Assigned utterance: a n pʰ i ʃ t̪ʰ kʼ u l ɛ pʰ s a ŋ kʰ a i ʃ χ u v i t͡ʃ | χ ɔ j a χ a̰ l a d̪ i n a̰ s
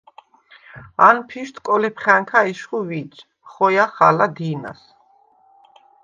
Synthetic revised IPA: a n pʰ i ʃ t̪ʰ kʼ ɔ l ɛ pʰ χ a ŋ kʰ a i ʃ χ u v i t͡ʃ | χ ɔ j a χ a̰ l a d̪ i n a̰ s